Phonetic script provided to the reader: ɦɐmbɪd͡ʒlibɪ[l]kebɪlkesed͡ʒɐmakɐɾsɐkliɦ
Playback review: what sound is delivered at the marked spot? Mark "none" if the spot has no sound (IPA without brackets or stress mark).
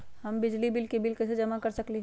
l